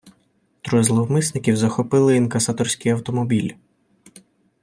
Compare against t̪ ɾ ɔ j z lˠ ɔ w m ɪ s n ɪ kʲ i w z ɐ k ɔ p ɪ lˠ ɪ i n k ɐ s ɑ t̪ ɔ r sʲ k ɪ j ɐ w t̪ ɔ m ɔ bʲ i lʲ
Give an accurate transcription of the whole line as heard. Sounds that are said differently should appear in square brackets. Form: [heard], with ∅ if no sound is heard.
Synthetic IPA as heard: t̪ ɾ ɔ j z lˠ ɔ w m ɪ s n ɪ kʲ i w z ɐ [x] ɔ p ɪ lˠ ɪ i n k ɐ s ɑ t̪ ɔ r sʲ k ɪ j ɐ w t̪ ɔ m ɔ bʲ i lʲ